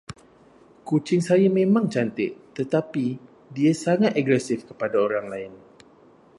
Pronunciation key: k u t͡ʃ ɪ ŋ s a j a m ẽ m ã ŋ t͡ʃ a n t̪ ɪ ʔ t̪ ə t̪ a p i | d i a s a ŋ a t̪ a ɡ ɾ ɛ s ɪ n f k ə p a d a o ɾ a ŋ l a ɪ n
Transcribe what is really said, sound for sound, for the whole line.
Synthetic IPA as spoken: k u t͡ʃ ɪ ŋ s a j a m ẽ m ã ŋ t͡ʃ a n t̪ ɪ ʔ t̪ ə t̪ a p i | d i a s a ŋ a t̪ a ɡ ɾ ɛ s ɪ f k ə p a d a o ɾ a ŋ l a ɪ n